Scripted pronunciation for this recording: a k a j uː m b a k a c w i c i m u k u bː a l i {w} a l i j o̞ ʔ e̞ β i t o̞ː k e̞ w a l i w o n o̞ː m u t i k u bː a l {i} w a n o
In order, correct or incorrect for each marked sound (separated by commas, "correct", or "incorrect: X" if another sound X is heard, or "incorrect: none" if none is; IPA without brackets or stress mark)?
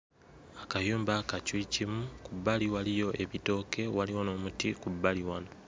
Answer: correct, correct